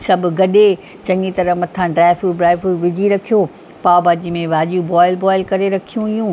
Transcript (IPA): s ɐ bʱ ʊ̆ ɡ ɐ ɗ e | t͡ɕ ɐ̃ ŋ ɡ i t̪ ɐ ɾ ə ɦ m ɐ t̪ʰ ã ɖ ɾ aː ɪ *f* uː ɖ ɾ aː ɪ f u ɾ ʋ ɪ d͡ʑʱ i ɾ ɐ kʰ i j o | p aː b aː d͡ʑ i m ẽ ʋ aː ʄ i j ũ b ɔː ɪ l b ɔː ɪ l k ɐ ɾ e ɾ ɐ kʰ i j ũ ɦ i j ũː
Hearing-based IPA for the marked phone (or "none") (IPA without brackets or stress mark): f